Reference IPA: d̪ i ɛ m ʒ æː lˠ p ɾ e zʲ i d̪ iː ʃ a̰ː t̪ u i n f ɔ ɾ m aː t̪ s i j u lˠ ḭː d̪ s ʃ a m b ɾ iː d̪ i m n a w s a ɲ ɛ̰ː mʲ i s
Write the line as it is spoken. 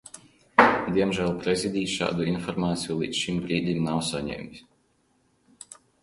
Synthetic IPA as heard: d̪ i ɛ m ʒ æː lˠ p ɾ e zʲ i d̪ iː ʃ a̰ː d̪ u i n f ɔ ɾ m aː t̪ s i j u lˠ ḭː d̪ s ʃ i m b ɾ iː d̪ i m n a w s a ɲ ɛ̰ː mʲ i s

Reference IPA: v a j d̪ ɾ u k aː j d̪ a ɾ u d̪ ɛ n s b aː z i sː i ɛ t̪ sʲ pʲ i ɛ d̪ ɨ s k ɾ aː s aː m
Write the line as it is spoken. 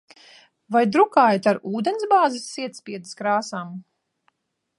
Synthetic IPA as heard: v a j d̪ ɾ u k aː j t̪ a ɾ uː d̪ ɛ n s b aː z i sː i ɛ t̪ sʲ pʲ i ɛ d̪ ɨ s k ɾ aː s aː m

